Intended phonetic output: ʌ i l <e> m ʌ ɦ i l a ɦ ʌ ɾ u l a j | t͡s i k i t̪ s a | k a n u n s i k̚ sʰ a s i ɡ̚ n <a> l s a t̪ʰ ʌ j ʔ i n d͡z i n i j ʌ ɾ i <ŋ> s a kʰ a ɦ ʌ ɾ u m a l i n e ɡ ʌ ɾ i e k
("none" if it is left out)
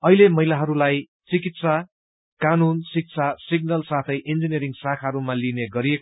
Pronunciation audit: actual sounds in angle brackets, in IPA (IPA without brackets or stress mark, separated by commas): e, ʌ, ŋ